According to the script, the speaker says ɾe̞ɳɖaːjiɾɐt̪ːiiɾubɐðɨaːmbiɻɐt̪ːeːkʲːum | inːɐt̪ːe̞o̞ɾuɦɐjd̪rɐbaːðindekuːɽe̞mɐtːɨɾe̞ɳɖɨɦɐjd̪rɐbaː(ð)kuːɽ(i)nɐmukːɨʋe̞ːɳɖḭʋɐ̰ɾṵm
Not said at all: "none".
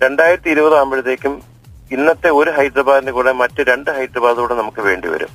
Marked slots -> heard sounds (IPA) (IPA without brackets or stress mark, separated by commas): ð, e